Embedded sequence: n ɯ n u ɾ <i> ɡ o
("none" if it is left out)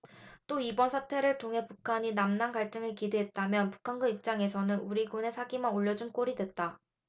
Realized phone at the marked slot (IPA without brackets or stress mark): i